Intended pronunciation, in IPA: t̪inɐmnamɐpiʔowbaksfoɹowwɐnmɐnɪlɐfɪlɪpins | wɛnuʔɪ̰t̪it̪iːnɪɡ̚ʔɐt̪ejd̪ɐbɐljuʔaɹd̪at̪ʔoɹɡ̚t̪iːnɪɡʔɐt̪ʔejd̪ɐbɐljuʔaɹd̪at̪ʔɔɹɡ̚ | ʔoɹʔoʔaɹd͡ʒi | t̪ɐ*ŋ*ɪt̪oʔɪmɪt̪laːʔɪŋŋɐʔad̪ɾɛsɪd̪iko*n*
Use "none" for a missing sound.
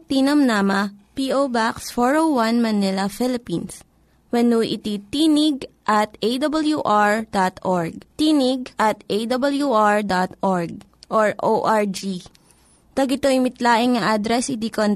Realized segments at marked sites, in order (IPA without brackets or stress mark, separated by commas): ɡ, n